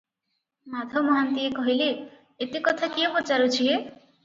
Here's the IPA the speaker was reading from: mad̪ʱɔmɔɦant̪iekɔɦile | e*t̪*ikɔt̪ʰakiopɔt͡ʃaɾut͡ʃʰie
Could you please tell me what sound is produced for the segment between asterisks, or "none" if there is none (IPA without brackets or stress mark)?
t̪